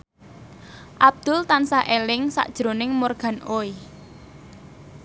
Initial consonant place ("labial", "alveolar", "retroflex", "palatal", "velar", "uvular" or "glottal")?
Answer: glottal